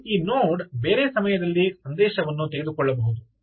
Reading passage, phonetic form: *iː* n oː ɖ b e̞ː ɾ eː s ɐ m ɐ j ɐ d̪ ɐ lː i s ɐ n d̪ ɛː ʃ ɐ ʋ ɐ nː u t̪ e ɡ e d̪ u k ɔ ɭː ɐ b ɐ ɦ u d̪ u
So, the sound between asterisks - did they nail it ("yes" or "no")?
yes